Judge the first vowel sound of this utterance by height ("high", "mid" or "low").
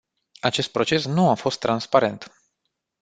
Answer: low